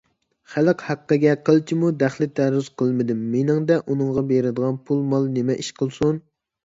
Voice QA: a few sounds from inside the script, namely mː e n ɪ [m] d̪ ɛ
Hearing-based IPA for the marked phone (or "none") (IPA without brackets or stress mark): ŋ